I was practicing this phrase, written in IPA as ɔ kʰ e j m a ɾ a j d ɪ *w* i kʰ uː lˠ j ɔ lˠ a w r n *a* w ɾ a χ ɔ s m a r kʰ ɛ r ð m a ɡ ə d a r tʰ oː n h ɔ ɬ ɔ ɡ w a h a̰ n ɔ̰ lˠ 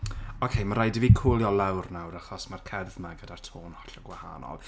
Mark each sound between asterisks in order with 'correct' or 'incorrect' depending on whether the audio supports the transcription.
incorrect, correct

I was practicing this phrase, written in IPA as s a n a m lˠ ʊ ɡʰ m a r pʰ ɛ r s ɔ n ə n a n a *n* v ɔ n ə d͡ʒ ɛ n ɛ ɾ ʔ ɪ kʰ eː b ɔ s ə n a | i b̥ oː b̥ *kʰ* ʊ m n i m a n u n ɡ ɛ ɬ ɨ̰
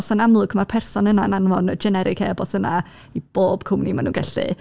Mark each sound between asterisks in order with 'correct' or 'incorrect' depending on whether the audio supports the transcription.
correct, correct

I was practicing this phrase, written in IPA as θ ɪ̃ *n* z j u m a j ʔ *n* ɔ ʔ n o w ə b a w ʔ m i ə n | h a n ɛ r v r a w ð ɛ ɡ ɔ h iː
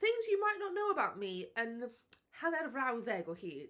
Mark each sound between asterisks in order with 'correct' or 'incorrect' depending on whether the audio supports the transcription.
incorrect, correct

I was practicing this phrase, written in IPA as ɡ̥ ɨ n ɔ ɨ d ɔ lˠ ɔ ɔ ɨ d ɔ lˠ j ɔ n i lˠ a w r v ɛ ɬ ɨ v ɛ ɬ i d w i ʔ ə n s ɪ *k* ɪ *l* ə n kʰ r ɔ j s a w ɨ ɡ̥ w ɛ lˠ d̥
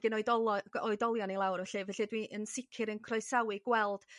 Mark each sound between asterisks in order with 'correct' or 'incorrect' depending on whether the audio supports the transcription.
incorrect, incorrect

